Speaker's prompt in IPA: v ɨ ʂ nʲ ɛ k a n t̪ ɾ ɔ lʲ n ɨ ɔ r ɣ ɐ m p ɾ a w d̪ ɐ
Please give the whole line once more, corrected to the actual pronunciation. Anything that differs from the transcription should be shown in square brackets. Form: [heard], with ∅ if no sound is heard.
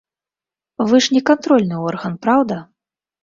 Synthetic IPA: v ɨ ʂ nʲ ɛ k a n t̪ ɾ ɔ lʲ n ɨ ɔ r ɣ ɐ [n] p ɾ a w d̪ ɐ